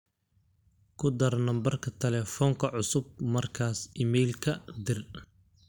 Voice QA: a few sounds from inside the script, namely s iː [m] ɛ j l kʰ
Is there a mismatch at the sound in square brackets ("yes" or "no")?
no